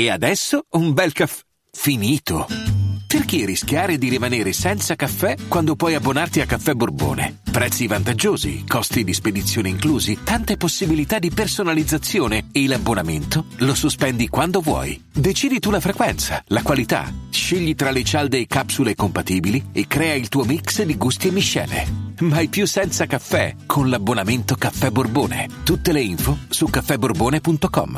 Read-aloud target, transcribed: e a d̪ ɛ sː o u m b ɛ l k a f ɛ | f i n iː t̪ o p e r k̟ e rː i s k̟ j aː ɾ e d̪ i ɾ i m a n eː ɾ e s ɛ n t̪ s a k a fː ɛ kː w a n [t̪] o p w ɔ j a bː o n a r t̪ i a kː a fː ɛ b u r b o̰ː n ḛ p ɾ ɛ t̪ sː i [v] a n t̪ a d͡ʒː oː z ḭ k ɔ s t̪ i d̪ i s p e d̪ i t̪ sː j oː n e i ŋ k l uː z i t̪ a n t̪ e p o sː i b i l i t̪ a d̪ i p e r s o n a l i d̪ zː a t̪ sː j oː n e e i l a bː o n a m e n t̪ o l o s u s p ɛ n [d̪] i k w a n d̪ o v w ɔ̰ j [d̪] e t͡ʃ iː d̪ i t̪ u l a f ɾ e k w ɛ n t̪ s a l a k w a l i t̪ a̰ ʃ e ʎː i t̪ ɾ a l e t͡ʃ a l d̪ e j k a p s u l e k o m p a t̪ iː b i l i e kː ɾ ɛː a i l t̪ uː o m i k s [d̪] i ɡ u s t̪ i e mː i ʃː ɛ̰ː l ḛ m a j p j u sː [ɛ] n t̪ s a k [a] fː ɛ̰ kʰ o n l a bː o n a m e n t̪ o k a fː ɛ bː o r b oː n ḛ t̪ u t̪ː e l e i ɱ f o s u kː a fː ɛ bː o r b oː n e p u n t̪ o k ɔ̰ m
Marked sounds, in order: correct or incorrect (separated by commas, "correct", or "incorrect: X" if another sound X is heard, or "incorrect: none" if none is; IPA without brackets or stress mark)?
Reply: incorrect: d̪, correct, correct, correct, correct, correct, correct